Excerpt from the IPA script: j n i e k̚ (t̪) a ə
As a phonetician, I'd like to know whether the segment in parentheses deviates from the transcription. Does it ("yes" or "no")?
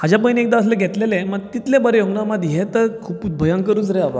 yes